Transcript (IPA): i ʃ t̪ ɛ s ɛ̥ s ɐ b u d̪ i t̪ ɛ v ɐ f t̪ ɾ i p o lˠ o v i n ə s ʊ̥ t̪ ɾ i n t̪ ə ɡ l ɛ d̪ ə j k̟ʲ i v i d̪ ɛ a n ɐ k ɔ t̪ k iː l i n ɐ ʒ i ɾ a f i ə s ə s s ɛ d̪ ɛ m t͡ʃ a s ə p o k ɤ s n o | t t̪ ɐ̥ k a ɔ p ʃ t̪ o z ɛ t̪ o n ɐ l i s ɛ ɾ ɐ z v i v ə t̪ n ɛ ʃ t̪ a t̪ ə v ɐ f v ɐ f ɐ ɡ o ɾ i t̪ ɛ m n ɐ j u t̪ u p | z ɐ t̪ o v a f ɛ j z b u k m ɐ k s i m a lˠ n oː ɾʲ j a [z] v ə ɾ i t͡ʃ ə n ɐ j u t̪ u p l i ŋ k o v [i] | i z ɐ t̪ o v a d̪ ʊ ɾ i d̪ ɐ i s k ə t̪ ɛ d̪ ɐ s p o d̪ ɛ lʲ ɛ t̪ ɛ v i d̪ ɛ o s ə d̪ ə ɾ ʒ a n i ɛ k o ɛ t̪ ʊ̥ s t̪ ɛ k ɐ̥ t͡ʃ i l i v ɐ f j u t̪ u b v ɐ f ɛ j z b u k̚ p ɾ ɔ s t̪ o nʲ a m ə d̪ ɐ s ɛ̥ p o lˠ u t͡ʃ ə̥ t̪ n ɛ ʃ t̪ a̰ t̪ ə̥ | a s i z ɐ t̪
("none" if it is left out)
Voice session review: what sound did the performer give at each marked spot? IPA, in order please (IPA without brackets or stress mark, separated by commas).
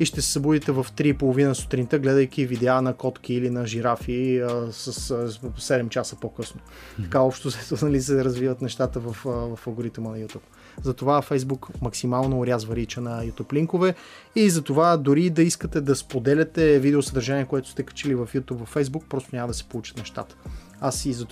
z, ɛ